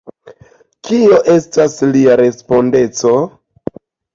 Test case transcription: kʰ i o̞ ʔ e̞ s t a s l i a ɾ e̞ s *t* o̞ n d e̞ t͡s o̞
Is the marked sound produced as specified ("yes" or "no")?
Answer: no